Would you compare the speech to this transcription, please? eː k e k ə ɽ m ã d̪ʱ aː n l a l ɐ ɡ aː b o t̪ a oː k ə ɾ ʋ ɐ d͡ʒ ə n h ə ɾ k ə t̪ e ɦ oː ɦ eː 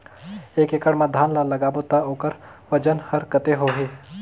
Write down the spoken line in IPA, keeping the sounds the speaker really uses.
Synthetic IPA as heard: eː k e k ə ɽ m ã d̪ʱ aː n l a l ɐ ɡ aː b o t̪ a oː k ə ɾ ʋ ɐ d͡ʒ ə n h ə ɾ k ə t̪ e ɦ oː ɦ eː